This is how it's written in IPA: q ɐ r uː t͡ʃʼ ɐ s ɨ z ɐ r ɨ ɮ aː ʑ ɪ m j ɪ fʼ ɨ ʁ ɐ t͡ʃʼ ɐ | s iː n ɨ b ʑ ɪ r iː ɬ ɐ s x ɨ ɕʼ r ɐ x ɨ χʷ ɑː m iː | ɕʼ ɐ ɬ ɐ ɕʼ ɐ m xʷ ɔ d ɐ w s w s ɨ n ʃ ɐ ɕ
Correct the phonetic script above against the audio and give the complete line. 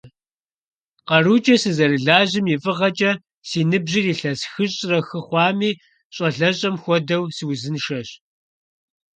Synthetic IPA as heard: q ɐ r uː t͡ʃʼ ɐ s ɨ z ɐ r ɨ ɮ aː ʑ ɪ m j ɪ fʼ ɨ ʁ ɐ t͡ʃʼ ɐ | s iː n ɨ b ʑ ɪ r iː ɬ ɐ s x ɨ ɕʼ r ɐ x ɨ χʷ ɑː m iː | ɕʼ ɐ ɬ ɐ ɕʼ ɐ m xʷ ɔ d ɐ w s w z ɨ n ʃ ɐ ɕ